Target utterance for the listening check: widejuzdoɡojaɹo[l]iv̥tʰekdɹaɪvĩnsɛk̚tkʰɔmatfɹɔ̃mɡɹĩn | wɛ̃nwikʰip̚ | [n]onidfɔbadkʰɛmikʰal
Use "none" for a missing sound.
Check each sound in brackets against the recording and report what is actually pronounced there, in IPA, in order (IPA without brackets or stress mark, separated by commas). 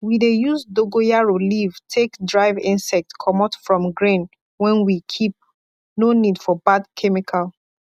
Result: l, n